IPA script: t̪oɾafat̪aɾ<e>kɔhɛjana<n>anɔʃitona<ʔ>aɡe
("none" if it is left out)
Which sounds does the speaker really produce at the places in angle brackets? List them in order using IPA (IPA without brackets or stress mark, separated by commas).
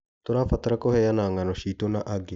a, ŋ, ʔ